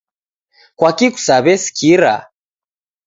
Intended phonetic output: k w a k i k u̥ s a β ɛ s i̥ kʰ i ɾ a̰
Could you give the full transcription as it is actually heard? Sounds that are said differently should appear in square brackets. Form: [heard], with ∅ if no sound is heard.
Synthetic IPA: k w a k i k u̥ s a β ɛ s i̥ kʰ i ɾ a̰